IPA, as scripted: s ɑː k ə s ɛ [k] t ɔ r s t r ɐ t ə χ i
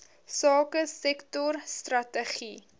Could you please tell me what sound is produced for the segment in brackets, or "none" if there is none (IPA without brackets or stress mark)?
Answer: k